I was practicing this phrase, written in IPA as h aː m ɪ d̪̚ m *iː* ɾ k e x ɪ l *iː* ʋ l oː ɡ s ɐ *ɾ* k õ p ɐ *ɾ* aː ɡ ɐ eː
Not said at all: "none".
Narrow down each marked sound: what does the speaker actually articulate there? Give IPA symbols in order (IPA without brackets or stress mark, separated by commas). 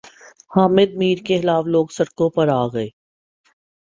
iː, aː, ɽ, ɾ